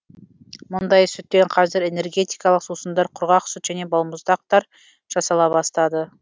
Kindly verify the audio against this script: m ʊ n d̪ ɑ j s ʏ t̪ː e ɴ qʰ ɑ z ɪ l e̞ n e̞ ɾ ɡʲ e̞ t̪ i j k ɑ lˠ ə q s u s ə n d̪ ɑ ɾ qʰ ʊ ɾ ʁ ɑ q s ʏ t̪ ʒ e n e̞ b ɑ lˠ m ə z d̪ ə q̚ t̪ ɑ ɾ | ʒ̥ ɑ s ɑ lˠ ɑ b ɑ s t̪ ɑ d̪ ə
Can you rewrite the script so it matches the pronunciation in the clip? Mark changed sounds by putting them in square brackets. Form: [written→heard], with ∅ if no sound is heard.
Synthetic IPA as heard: m ʊ n d̪ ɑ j s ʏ t̪ː e ɴ qʰ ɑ z ɪ [l→ɾ] e̞ n e̞ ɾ ɡʲ e̞ t̪ i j k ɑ lˠ ə q s u s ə n d̪ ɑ ɾ qʰ ʊ ɾ ʁ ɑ q s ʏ t̪ ʒ [e→æ] n e̞ b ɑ lˠ m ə z d̪ [ə→ɑ] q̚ t̪ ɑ ɾ | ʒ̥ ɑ s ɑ lˠ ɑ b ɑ s t̪ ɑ d̪ ə